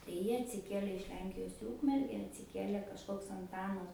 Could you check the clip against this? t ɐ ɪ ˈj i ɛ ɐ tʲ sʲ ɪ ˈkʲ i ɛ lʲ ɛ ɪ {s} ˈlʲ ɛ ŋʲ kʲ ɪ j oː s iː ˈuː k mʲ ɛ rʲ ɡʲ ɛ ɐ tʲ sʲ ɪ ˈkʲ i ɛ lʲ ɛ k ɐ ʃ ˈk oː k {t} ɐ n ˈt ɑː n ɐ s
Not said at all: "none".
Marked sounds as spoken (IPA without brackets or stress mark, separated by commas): ʃ, s